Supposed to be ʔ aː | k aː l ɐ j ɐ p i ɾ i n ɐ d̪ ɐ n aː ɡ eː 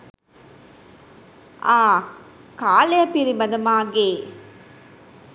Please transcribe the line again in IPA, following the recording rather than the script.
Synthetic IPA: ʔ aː | k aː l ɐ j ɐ p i ɾ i m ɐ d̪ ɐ m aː ɡ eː

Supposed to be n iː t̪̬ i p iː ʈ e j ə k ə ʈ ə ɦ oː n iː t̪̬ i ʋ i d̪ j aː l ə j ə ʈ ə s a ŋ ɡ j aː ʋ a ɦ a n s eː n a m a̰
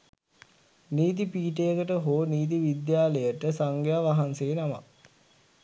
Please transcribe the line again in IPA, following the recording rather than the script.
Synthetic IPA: n iː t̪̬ i p iː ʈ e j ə k ə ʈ ə ɦ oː n iː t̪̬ i ʋ i d̪ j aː l ə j ə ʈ ə s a ŋ ɡ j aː ʋ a ɦ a n s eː n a m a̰

